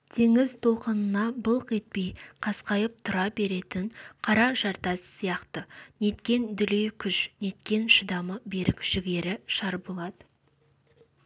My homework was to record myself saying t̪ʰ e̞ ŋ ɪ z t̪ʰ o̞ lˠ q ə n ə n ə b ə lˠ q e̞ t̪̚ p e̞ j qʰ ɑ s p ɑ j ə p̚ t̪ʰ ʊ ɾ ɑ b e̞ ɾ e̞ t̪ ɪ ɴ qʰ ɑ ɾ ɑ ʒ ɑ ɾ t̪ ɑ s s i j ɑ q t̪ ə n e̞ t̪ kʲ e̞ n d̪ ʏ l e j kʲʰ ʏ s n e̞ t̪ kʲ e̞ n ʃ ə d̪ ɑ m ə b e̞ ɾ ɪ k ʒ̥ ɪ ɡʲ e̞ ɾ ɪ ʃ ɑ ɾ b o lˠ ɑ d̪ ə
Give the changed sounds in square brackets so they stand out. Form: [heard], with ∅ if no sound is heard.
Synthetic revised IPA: t̪ʰ e̞ ŋ ɪ z t̪ʰ o̞ lˠ q ə n ə n [ɑ] b ə lˠ q e̞ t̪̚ p e̞ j qʰ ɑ s [q] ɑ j ə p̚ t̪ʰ ʊ ɾ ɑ b e̞ ɾ e̞ t̪ ɪ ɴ qʰ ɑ ɾ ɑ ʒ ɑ ɾ t̪ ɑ s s i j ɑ q t̪ ə n e̞ t̪ kʲ e̞ n d̪ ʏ l e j kʲʰ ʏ [ʃ] n e̞ t̪ kʲ e̞ n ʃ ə d̪ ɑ m ə b e̞ ɾ ɪ k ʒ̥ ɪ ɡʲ e̞ ɾ ɪ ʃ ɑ ɾ b o lˠ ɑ d̪ ə